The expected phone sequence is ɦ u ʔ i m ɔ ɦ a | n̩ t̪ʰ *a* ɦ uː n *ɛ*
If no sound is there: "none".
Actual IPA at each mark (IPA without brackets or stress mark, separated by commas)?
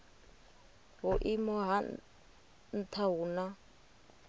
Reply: a, a